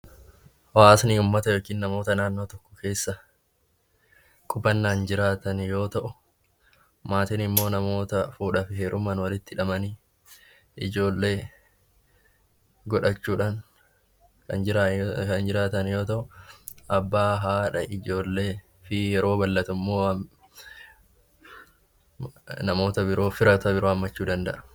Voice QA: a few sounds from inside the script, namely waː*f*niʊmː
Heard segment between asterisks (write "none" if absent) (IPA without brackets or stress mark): s